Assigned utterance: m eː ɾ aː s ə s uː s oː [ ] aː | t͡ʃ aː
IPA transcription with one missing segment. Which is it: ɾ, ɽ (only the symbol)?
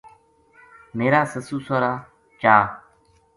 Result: ɾ